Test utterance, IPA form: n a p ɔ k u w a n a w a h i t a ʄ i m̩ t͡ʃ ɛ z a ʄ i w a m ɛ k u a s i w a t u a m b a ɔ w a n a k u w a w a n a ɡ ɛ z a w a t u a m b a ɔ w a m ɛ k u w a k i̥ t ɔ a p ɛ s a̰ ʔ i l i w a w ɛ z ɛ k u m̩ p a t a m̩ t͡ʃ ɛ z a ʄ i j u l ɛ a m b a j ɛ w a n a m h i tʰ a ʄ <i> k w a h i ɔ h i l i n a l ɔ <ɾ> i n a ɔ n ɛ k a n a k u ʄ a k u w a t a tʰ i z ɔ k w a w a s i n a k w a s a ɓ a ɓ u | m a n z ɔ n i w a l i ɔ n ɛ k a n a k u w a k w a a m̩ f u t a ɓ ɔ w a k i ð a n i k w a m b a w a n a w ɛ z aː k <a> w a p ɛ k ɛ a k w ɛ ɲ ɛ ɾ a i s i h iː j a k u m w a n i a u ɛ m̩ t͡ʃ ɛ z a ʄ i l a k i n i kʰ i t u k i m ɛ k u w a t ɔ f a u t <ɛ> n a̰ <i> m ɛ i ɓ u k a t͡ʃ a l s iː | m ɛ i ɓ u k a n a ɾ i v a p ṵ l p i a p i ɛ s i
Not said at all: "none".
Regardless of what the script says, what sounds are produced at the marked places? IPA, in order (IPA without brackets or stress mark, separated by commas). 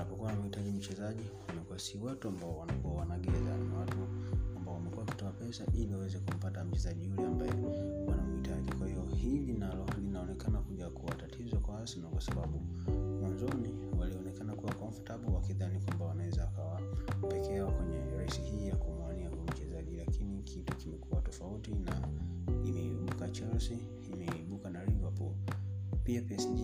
i, l, a, i, i